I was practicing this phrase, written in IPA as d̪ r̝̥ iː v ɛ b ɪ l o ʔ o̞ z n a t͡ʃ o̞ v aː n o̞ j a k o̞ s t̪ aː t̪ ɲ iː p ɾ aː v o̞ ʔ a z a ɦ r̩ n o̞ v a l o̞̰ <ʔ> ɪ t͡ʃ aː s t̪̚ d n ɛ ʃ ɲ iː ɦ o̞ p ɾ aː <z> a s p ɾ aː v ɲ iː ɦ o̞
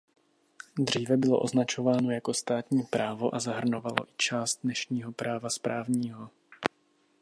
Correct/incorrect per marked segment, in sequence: correct, incorrect: v

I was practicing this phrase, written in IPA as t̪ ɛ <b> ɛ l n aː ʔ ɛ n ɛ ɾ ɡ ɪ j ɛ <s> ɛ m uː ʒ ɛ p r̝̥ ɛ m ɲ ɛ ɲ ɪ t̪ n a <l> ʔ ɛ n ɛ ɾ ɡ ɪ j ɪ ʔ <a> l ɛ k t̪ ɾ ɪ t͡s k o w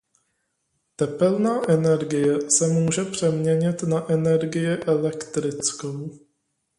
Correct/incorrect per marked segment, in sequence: incorrect: p, correct, incorrect: none, incorrect: ɛ

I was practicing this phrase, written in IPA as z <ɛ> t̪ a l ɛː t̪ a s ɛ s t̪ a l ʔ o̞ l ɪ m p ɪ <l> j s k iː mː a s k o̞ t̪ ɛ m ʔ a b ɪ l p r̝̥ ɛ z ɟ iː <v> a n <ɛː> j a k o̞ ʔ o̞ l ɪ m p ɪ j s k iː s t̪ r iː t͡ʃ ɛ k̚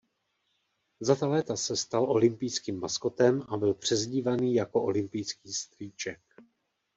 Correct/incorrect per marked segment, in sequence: incorrect: a, incorrect: none, correct, incorrect: iː

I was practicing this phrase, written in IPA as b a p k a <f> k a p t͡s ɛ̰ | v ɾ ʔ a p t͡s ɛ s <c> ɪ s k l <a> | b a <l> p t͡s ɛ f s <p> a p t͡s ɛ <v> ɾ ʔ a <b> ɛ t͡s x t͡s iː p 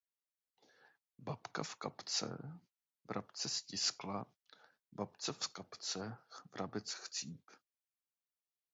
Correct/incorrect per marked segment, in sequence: correct, correct, correct, incorrect: none, incorrect: k, correct, correct

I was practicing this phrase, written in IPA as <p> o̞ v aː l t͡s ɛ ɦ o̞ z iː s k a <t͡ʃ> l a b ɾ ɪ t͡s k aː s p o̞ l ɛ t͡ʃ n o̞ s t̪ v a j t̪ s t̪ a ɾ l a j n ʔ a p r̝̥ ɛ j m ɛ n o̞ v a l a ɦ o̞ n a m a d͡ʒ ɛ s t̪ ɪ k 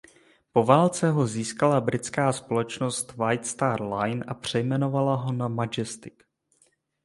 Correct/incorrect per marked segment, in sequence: correct, incorrect: none

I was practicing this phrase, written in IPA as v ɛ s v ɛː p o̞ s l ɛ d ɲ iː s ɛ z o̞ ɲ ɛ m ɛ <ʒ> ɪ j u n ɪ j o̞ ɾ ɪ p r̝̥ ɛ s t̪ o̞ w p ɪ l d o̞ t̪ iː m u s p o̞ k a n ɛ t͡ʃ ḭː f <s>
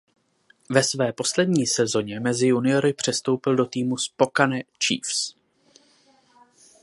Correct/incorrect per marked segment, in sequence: incorrect: z, correct

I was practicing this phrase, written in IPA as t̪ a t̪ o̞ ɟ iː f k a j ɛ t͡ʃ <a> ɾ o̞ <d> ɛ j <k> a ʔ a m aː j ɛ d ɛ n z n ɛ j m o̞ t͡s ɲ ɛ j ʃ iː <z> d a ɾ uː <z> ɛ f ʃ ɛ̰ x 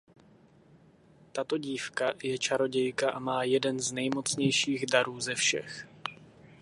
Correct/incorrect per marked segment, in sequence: correct, incorrect: ɟ, correct, incorrect: ɣ, correct

